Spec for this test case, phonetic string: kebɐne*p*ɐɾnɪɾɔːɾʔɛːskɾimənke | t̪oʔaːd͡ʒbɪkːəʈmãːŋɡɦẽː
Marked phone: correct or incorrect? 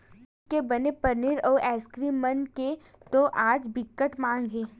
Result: correct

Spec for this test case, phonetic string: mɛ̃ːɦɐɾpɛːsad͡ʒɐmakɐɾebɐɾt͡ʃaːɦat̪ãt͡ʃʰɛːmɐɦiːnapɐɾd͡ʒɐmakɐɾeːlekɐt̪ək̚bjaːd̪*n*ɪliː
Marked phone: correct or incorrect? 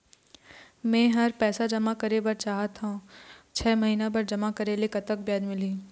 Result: incorrect: m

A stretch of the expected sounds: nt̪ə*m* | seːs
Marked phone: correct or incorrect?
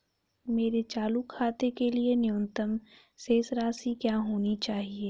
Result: correct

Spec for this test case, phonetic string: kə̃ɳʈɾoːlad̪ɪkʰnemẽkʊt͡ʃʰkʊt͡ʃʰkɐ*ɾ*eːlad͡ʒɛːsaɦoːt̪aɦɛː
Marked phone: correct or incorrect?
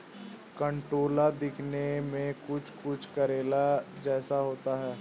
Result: correct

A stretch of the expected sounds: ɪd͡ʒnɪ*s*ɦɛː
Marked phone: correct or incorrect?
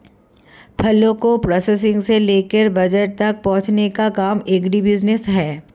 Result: correct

